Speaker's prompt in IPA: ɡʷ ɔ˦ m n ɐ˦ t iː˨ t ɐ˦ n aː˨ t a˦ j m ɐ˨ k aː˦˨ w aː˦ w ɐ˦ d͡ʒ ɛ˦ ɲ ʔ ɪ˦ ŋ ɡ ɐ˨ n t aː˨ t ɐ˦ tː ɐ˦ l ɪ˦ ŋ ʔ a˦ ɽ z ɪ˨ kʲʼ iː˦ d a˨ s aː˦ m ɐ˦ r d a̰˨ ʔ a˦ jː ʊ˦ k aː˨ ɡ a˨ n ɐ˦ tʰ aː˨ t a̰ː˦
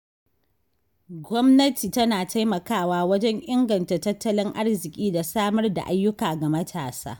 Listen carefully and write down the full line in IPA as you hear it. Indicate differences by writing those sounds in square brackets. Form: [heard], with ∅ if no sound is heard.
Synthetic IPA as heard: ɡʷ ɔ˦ m n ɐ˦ t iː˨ t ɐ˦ n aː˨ t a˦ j m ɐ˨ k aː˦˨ w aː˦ w ɐ˦ d͡ʒ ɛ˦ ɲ ʔ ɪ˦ ŋ ɡ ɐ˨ n t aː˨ t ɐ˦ tː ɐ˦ l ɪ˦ ŋ ʔ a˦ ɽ z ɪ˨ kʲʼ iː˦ d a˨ s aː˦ m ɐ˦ r d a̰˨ ʔ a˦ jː ʊ˦ k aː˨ ɡ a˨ [m] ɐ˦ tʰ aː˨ [s] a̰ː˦